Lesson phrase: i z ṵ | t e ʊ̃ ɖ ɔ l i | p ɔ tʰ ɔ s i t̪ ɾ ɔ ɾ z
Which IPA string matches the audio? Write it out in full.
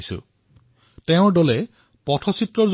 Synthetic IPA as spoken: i s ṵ | t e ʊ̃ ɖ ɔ l e | p ɔ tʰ ɔ s i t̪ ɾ ɔ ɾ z